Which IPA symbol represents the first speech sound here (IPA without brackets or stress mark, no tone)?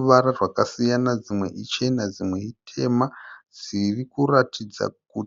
ʋ